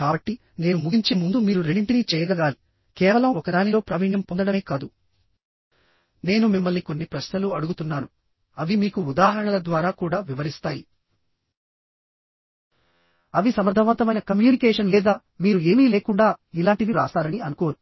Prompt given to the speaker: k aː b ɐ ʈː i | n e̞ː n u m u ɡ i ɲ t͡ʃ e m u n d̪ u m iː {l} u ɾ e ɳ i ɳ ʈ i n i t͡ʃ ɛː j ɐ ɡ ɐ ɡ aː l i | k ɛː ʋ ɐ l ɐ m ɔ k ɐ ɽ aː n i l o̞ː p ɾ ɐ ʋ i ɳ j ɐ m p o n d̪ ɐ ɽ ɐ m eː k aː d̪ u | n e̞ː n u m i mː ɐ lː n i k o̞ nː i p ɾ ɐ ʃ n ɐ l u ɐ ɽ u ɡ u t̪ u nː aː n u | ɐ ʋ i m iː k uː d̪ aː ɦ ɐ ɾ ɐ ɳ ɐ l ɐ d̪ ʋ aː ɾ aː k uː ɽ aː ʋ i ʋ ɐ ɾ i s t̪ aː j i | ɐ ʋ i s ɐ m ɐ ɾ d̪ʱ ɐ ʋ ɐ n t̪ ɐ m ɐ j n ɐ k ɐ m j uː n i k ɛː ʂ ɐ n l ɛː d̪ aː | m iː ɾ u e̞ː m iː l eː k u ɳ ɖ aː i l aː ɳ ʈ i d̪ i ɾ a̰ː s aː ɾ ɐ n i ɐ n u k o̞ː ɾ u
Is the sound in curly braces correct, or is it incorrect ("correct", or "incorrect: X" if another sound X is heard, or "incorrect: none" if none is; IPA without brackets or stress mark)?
incorrect: ɾ